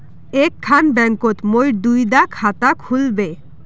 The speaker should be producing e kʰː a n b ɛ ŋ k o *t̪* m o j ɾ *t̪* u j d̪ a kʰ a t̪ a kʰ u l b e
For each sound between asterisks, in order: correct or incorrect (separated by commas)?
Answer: correct, incorrect